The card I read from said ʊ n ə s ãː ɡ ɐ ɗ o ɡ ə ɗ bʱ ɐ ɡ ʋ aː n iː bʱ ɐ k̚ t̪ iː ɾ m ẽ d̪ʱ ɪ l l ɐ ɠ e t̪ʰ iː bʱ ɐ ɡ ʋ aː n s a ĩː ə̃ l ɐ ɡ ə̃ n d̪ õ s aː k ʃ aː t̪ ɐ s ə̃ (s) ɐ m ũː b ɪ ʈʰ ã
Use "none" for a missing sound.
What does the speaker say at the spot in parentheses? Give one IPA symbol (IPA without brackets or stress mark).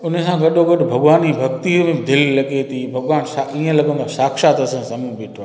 s